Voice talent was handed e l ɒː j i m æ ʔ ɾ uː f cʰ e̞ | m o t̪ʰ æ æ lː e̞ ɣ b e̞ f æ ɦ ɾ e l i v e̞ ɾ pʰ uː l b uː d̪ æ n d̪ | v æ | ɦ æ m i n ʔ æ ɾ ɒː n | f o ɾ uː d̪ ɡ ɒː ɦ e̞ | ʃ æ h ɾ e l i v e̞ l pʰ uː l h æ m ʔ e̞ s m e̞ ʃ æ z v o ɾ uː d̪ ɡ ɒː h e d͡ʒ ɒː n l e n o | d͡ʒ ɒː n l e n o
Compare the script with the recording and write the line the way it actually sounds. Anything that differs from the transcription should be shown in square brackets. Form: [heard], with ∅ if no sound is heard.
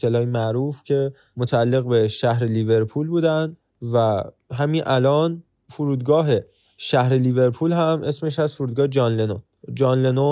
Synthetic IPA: e l ɒː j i m æ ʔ ɾ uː f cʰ e̞ | m o t̪ʰ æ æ lː e̞ ɣ b e̞ [ʃ] æ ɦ ɾ e l i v e̞ ɾ pʰ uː l b uː d̪ æ n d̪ | v æ | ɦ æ m i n ʔ æ [l] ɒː n | f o ɾ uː d̪ ɡ ɒː ɦ e̞ | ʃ æ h ɾ e l i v e̞ [ɾ] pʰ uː l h æ m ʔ e̞ s m e̞ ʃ æ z [f] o ɾ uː d̪ ɡ ɒː h e d͡ʒ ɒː n l e n o | d͡ʒ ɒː n l e n o